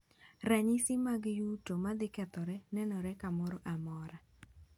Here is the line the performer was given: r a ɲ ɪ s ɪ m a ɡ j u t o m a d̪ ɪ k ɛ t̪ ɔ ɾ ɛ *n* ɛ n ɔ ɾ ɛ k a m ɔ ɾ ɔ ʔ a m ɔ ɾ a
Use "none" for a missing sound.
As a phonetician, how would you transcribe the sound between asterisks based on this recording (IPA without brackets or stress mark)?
n